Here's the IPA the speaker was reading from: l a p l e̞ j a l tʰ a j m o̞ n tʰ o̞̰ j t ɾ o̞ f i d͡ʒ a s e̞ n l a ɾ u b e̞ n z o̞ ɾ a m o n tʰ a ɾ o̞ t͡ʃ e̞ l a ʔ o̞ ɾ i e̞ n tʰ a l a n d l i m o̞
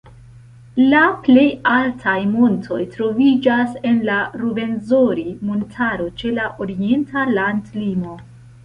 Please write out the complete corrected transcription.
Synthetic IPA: l a p l e̞ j a l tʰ a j m o̞ n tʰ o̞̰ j t ɾ o̞ v i d͡ʒ a s e̞ n l a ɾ u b e̞ n z o̞ ɾ i m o n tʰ a ɾ o̞ t͡ʃ e̞ l a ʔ o̞ ɾ i e̞ n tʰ a l a n d l i m o̞